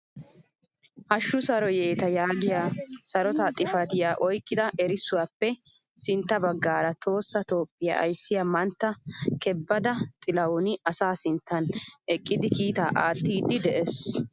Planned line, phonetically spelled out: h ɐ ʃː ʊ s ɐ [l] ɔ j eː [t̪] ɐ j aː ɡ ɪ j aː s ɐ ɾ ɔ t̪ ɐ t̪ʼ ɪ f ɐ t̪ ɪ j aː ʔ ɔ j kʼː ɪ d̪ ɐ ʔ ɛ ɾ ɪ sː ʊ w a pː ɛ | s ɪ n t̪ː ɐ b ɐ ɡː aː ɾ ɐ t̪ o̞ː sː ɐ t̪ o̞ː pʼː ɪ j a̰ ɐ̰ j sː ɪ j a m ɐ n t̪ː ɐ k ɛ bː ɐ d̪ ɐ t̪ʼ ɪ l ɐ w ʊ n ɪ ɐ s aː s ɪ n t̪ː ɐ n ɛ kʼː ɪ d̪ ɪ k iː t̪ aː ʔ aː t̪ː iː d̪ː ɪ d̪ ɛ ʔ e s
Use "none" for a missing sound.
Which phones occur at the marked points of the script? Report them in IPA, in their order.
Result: ɾ, t̪

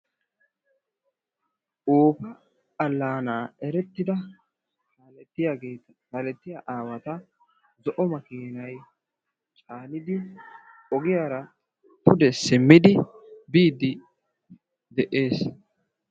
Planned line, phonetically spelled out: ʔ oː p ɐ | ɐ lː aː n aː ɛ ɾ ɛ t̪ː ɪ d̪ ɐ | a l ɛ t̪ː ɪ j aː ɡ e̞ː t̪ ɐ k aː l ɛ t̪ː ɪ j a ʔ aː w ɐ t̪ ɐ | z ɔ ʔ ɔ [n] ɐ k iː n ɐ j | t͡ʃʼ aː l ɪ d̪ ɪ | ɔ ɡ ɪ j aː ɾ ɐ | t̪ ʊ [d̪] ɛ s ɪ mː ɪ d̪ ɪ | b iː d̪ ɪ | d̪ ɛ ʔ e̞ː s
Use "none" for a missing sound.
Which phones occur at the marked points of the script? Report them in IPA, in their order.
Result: m, d̪

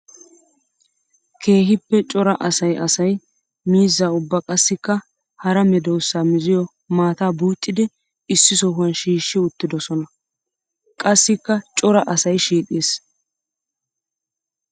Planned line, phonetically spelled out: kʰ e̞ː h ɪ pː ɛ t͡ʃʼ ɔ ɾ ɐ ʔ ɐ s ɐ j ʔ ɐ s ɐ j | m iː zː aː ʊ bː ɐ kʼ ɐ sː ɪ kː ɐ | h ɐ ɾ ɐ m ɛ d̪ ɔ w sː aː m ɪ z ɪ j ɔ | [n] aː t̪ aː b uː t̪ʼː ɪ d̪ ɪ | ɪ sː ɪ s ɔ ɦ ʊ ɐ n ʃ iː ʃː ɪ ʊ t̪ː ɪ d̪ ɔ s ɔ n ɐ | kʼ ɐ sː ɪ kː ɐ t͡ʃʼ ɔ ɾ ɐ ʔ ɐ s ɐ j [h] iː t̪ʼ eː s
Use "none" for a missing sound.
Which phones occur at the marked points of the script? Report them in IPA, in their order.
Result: m, ʃ

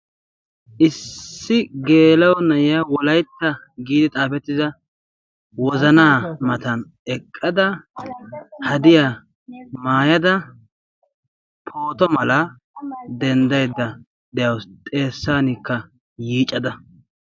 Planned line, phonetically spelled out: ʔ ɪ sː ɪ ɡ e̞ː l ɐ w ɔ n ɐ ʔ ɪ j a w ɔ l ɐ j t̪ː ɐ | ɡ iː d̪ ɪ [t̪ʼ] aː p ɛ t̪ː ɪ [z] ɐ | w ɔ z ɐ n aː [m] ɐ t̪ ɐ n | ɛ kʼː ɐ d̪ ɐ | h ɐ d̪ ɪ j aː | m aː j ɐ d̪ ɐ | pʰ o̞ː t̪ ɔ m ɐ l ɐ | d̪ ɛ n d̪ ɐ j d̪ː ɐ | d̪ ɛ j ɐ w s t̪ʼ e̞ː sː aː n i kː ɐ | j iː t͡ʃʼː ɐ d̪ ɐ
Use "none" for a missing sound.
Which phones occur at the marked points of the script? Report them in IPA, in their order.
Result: t̪ʼ, z, m

